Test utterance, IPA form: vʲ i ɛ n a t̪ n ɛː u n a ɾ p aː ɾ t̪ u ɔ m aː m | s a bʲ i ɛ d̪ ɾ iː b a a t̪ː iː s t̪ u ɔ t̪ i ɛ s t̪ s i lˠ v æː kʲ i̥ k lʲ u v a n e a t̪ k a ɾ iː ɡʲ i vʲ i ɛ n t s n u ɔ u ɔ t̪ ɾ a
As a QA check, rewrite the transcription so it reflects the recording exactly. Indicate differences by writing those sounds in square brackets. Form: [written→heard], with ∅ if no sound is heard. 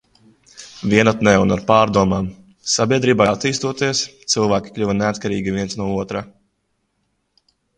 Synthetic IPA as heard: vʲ i ɛ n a t̪ n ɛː u n a ɾ p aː ɾ [t̪→d̪] u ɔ m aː m | s a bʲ i ɛ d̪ ɾ iː b a a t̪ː iː s t̪ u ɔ t̪ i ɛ s t̪ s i lˠ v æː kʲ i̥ k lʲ u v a n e a t̪ k a ɾ iː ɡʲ i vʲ i ɛ n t s n u ɔ u ɔ t̪ ɾ a

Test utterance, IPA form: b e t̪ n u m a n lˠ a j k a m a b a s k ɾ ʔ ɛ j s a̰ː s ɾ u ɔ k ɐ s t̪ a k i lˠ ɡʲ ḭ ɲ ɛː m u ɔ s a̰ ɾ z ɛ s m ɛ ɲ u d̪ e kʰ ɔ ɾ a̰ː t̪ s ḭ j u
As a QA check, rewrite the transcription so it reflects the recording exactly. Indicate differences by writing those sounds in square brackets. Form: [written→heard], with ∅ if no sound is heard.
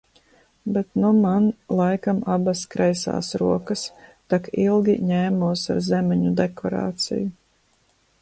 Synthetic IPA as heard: b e t̪ n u m a n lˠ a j k a m a b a s k ɾ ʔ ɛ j s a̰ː s ɾ u ɔ k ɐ s t̪ a k i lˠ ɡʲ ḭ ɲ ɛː m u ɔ s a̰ ɾ z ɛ [s→∅] m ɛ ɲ u d̪ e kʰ ɔ ɾ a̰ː t̪ s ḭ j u

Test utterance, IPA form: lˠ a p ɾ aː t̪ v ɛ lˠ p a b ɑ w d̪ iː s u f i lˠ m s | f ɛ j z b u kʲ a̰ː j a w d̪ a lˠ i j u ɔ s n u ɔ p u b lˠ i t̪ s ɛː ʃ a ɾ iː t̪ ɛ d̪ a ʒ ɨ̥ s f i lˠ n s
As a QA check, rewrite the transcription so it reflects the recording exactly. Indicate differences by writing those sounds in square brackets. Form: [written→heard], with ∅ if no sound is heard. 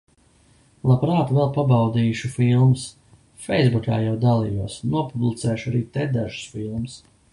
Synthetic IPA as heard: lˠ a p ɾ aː t̪ v ɛ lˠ p a b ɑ w d̪ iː [s→ʃ] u f i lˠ m s | f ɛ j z b u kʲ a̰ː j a w d̪ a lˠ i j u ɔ s n u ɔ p u b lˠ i t̪ s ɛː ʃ a ɾ iː t̪ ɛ d̪ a ʒ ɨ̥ s f i lˠ [n→m] s

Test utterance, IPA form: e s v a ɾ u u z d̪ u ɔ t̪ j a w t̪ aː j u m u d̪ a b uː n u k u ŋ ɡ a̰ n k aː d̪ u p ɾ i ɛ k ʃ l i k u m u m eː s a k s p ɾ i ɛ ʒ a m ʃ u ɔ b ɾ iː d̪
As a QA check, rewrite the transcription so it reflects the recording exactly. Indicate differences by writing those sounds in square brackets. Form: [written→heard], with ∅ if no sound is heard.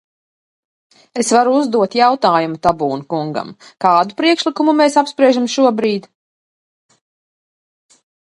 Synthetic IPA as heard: e s v a ɾ u u z d̪ u ɔ t̪ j a w t̪ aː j u m u [d̪→t̪] a b uː n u k u ŋ ɡ a̰ [n→m] k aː d̪ u p ɾ i ɛ k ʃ l i k u m u m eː s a [k→p] s p ɾ i ɛ ʒ a m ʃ u ɔ b ɾ iː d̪

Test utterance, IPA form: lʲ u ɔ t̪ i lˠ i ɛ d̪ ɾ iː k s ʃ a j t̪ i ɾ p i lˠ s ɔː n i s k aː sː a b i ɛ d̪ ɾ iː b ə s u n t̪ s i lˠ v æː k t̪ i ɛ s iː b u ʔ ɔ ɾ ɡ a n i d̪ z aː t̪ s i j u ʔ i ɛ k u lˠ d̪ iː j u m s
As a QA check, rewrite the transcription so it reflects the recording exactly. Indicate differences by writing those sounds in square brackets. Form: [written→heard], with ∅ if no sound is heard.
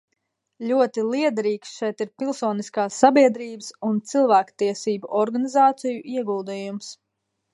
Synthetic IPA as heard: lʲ u ɔ t̪ i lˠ i ɛ d̪ ɾ iː k s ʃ [a→ɛ] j t̪ i ɾ p i lˠ s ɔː n i s k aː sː a b i ɛ d̪ ɾ iː b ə s u n t̪ s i lˠ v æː k t̪ i ɛ s iː b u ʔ ɔ ɾ ɡ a n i [d̪→∅] z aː t̪ s i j u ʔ i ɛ [k→ɡ] u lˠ d̪ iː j u m s

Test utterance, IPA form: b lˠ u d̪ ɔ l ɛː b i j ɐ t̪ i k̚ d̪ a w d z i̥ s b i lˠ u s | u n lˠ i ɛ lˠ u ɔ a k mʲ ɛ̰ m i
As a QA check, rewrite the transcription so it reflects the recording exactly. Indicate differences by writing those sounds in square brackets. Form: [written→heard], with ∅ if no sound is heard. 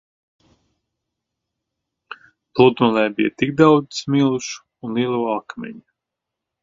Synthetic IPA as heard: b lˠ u d̪ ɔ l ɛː b i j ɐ t̪ i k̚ d̪ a w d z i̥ s [b→m] i lˠ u [s→ʃ] | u n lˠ i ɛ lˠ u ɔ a k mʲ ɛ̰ [m→ɲ] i

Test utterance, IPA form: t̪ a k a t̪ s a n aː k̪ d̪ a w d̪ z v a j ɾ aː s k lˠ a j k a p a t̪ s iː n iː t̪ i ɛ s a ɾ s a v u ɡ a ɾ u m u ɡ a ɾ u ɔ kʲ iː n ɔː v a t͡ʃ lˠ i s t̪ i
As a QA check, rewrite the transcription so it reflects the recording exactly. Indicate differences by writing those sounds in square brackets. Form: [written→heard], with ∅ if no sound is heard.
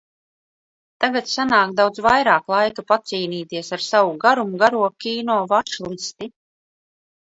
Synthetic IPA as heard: t̪ a [k→ɡ] a t̪ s a n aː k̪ d̪ a w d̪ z v a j ɾ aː [s→∅] k lˠ a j k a p a t̪ s iː n iː t̪ i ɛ s a ɾ s a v u ɡ a ɾ u m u ɡ a ɾ u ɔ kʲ iː n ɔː v a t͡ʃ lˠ i s t̪ i

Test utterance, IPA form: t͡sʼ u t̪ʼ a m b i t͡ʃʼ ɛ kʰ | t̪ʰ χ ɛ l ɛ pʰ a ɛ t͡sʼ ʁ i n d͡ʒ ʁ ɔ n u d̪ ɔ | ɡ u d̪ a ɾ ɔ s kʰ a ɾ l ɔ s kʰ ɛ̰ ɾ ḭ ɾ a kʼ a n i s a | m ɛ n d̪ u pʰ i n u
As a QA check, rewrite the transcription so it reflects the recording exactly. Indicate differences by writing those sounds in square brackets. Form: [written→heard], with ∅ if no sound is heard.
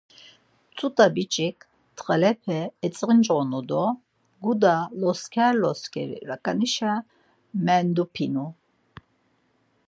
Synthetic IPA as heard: t͡sʼ u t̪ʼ a [m→∅] b i t͡ʃʼ [ɛ→i] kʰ | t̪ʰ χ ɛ l ɛ pʰ [a→ɛ] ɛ t͡sʼ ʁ i n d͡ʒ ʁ ɔ n u d̪ ɔ | ɡ u d̪ a [ɾ→l] ɔ s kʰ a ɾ l ɔ s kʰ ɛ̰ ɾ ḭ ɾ a kʼ a n i [s→ʃ] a | m ɛ n d̪ u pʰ i n u

